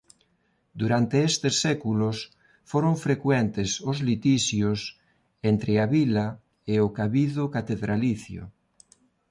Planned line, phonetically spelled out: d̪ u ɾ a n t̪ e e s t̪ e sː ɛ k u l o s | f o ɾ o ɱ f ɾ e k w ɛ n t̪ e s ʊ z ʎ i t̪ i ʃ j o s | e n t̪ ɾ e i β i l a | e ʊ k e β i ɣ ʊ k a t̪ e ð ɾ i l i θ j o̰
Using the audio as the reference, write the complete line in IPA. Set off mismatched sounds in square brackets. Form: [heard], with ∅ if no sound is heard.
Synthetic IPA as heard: d̪ u ɾ a n t̪ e e s t̪ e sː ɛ k u l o s | f o ɾ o ɱ f ɾ e k w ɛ n t̪ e s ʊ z [l] i t̪ i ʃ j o s | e n t̪ ɾ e [a] β i l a | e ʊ k [a] β i [ð] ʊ k a t̪ e ð ɾ [a] l i θ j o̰